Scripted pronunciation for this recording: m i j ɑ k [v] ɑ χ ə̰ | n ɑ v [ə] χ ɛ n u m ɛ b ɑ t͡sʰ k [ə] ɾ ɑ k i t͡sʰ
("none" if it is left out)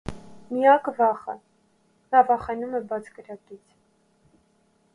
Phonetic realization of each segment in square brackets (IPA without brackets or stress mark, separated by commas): v, ɑ, ə